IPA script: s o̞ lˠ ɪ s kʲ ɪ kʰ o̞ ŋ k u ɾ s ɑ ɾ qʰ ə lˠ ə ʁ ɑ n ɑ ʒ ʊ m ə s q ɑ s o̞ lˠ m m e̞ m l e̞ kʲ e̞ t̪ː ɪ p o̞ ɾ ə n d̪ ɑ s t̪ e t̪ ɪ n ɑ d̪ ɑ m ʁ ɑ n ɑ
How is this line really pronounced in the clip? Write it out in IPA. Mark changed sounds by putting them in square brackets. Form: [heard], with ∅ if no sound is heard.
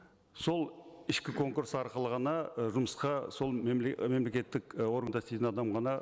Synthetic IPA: s o̞ lˠ ɪ [ʃ] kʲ ɪ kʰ o̞ ŋ k u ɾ s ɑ ɾ [q] ə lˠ ə ʁ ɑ n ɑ ʒ ʊ m ə s q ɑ s o̞ lˠ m m e̞ m l e̞ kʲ e̞ t̪ː ɪ [k] o̞ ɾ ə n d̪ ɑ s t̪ e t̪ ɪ n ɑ d̪ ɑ m ʁ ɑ n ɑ